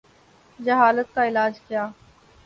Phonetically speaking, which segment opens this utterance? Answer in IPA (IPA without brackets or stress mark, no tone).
d͡ʒ